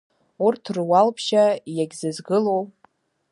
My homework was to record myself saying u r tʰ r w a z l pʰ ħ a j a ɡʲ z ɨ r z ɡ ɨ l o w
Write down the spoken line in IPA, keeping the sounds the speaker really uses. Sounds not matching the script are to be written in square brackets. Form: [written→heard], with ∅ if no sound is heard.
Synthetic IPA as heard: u r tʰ r w a [z→∅] l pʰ [ħ→ʃ] a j a ɡʲ z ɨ [r→∅] z ɡ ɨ l o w